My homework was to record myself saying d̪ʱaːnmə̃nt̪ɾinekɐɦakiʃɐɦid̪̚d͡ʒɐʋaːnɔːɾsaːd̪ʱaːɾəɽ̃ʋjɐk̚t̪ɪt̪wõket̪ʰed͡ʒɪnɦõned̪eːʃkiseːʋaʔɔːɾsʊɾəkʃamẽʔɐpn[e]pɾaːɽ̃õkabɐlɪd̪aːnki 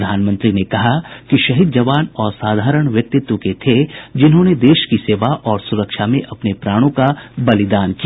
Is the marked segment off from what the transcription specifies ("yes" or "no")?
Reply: no